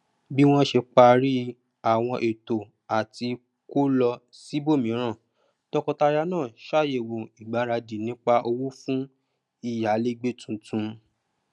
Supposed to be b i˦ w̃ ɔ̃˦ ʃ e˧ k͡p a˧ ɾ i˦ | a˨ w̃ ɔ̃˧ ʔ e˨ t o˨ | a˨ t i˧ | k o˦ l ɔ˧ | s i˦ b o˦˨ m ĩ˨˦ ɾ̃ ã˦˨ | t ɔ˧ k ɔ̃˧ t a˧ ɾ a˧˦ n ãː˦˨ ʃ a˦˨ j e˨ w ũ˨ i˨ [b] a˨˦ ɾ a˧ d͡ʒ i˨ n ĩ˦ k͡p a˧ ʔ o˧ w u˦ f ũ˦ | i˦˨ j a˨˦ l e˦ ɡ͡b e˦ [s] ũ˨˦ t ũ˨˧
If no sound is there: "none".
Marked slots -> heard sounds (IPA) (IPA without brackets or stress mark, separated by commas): ɡ͡b, t